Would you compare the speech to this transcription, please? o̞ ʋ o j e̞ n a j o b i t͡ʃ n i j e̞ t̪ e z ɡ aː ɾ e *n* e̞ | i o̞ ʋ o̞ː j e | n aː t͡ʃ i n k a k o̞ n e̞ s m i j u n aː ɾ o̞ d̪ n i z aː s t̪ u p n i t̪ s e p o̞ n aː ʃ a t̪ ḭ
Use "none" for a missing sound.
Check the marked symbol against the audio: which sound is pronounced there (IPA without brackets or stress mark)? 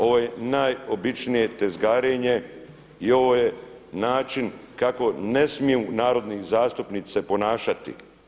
ɲ